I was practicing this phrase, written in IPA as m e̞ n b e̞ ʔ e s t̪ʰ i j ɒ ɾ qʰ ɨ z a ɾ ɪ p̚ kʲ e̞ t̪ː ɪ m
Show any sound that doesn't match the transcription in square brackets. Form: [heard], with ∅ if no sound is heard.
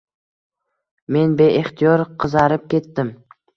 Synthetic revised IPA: m e̞ n b e̞ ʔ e [χ] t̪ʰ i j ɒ ɾ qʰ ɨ z a ɾ ɪ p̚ kʲ e̞ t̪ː ɪ m